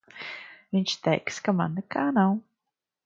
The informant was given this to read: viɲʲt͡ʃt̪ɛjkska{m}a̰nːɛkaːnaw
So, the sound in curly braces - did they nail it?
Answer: yes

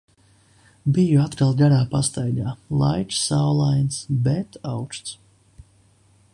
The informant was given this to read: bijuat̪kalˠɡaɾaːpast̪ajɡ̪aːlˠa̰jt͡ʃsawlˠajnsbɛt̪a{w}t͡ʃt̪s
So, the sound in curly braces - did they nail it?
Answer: yes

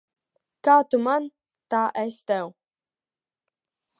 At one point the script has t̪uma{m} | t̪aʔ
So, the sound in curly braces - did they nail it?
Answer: no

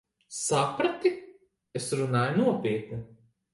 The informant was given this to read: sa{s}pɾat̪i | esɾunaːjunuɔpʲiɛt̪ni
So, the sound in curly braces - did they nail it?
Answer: no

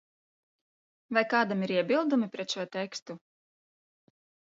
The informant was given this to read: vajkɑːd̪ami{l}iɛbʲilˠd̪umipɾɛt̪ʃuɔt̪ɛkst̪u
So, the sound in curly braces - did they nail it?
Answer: no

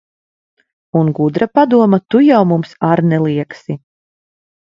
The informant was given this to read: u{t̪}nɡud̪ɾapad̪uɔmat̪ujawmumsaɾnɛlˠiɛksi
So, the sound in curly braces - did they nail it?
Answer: no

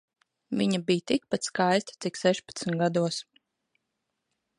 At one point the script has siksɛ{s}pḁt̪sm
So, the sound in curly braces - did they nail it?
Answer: no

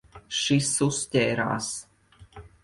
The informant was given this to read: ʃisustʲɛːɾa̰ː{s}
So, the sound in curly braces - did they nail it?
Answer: yes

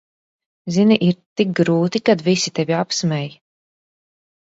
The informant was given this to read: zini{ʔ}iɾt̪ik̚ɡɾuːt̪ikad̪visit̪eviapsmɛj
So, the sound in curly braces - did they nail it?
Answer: yes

